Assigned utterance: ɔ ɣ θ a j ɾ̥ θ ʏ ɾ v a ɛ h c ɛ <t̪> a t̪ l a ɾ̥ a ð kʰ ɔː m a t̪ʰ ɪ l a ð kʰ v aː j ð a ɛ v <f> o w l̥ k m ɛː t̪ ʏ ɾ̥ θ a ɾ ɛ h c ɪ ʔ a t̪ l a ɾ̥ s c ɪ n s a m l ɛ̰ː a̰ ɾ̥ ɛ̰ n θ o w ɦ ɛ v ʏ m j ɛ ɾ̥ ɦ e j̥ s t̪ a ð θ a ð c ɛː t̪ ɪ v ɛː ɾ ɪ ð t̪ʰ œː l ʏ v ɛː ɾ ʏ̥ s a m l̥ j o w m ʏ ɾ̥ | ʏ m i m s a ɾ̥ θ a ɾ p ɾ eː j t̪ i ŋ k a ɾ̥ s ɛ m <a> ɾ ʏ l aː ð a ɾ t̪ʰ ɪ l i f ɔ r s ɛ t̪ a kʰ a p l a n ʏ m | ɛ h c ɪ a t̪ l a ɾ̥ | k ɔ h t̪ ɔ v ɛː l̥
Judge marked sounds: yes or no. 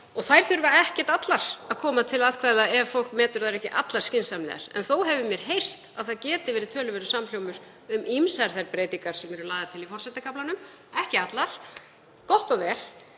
yes, yes, no

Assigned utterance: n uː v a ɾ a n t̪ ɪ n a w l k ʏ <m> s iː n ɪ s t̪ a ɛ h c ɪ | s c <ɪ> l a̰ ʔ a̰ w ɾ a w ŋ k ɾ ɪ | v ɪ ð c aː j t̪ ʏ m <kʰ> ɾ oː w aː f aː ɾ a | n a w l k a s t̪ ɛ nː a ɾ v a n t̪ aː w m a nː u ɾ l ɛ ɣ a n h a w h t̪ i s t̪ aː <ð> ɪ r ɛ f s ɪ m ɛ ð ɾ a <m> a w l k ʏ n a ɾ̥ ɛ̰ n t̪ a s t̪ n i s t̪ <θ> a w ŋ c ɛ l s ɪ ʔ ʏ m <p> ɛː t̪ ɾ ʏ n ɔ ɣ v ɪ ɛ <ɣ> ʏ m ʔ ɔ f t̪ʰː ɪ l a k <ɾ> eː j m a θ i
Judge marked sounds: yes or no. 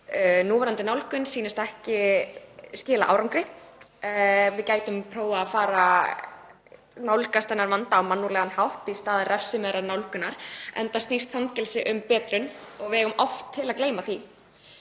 no, no, no, yes, no, no, yes, yes, no

